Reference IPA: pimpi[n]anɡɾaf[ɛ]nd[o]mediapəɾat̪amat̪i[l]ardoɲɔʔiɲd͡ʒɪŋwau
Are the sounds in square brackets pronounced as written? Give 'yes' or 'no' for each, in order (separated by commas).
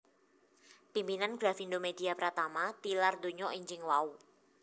yes, no, yes, yes